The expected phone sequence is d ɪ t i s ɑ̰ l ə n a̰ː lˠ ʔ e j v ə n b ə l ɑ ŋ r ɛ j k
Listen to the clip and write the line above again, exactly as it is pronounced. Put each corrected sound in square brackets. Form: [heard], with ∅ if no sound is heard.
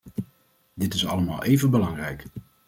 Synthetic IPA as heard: d ɪ t [ɪ] s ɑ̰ l ə [m] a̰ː lˠ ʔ e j v ə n b ə l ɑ ŋ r ɛ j k